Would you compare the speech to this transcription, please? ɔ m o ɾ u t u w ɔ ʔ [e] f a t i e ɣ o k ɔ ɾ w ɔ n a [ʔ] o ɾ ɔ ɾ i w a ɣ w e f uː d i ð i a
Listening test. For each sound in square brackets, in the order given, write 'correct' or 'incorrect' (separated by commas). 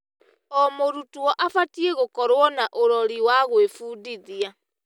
incorrect, correct